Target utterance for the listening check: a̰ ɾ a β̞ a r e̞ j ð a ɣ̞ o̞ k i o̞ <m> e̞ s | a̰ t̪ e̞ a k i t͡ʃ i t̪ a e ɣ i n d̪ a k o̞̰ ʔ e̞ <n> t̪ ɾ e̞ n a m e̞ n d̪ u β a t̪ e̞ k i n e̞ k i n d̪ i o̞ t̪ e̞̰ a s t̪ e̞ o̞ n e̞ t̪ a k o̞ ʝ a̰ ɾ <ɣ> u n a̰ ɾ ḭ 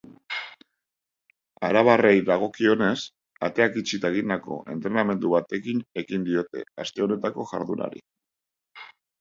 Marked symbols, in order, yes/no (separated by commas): no, yes, no